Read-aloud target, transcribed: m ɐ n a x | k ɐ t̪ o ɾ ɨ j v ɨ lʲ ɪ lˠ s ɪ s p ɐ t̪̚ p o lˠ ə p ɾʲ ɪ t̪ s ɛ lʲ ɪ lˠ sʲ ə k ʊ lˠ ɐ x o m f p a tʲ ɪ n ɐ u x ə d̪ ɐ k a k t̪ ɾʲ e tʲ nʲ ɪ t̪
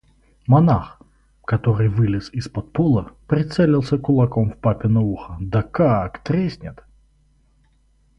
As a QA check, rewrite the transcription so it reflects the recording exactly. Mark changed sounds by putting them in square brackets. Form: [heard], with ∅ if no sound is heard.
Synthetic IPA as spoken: m ɐ n a x | k ɐ t̪ o ɾ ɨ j v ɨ lʲ ɪ [∅] s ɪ s p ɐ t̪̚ p o lˠ ə p ɾʲ ɪ t̪ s ɛ lʲ ɪ lˠ sʲ ə k ʊ lˠ ɐ [k] o m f p a [pʲ] ɪ n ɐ u x ə d̪ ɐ k a k t̪ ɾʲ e [sʲ] nʲ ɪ t̪